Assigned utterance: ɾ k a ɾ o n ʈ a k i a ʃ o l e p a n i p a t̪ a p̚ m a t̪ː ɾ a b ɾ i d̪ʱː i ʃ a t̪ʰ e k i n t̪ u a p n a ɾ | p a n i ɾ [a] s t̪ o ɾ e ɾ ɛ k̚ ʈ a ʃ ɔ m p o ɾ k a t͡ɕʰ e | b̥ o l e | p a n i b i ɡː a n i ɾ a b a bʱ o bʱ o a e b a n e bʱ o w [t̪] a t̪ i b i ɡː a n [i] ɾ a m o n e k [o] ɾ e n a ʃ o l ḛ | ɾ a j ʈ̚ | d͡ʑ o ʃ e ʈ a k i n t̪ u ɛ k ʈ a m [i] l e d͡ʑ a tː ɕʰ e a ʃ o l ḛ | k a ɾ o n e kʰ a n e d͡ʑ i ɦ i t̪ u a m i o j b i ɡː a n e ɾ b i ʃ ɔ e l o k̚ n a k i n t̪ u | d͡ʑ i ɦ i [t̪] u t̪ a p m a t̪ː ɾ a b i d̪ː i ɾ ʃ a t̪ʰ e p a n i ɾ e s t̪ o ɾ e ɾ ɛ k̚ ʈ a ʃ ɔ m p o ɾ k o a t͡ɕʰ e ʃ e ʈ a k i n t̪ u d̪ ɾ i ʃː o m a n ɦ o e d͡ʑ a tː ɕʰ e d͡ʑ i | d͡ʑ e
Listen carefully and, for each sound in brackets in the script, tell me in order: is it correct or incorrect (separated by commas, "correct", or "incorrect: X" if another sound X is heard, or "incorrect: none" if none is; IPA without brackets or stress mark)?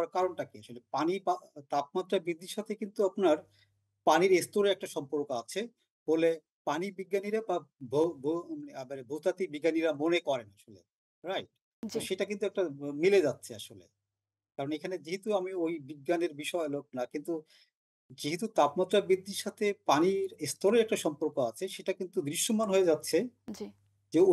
incorrect: e, correct, correct, incorrect: ɔ, correct, correct